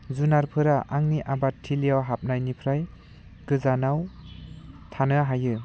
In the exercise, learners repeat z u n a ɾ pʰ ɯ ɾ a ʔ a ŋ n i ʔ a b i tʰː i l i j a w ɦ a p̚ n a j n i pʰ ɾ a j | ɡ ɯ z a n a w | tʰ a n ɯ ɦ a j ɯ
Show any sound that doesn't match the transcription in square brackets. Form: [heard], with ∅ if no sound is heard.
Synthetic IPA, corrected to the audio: z u n a ɾ pʰ ɯ ɾ a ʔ a ŋ n i ʔ a b [a] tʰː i l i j a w ɦ a p̚ n a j n i pʰ ɾ a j | ɡ ɯ z a n a w | tʰ a n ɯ ɦ a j ɯ